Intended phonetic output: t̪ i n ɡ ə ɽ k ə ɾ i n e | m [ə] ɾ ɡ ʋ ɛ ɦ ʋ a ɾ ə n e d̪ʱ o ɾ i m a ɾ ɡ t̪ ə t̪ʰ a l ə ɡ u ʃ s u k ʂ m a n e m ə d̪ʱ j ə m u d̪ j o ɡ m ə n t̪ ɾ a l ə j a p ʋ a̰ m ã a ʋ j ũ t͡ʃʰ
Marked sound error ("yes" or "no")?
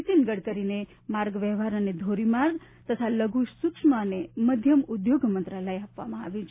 yes